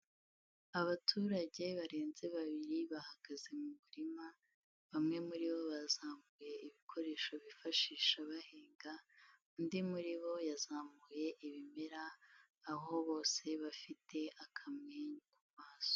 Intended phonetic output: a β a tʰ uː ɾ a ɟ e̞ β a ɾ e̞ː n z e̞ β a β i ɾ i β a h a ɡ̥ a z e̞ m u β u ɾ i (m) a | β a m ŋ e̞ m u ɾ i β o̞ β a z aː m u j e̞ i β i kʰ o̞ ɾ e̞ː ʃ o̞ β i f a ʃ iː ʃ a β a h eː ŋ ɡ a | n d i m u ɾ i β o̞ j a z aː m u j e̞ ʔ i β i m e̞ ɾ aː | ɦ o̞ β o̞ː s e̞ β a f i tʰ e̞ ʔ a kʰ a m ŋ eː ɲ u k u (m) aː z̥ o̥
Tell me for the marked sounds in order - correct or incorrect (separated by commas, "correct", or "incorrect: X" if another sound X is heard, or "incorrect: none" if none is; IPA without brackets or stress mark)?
correct, correct